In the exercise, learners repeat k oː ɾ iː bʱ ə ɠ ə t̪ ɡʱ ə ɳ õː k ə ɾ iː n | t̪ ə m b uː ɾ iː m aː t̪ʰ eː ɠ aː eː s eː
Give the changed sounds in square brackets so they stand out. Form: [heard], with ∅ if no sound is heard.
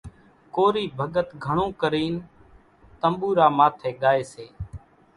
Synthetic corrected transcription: k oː ɾ iː bʱ ə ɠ ə t̪ ɡʱ ə ɳ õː k ə ɾ iː n | t̪ ə m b uː ɾ [aː] m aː t̪ʰ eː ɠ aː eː s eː